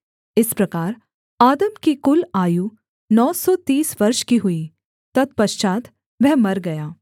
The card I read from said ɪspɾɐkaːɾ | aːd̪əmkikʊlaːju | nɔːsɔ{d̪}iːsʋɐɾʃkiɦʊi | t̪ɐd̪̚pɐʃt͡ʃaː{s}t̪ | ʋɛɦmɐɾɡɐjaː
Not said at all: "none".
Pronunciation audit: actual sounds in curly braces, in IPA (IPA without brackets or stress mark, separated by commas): t̪, none